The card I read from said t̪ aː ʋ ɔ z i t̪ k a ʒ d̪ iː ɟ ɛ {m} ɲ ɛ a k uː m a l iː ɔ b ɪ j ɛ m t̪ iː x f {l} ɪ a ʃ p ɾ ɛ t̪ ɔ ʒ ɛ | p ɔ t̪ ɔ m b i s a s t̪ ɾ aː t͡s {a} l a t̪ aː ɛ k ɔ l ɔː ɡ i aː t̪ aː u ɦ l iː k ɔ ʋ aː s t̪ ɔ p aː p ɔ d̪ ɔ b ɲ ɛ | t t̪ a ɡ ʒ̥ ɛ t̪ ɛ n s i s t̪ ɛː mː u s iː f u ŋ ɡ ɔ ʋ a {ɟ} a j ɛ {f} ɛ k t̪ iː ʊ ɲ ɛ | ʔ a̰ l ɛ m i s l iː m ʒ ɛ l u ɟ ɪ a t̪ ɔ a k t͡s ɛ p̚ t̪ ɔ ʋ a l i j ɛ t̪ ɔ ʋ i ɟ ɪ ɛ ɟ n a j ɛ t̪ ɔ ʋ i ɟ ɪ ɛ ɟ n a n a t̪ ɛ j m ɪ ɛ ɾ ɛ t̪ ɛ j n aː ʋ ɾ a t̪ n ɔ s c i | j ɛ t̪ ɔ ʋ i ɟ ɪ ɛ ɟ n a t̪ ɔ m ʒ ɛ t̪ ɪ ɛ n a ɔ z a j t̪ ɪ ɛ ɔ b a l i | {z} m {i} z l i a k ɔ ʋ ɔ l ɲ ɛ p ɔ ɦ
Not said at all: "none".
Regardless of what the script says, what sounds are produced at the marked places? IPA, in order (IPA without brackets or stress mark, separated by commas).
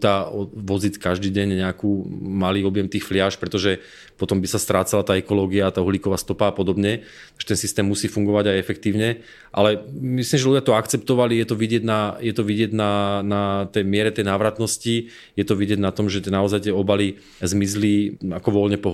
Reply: ɲ, l, a, ɟ, f, z, i